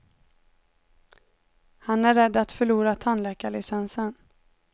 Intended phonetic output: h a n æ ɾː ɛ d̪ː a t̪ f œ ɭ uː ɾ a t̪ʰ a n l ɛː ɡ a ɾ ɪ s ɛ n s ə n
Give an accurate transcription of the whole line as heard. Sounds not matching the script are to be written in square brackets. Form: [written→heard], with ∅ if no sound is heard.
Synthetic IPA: h a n æ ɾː ɛ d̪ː a t̪ f œ ɭ uː ɾ a t̪ʰ a n l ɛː [ɡ→k] a [ɾ→ɭ] ɪ s ɛ n s ə n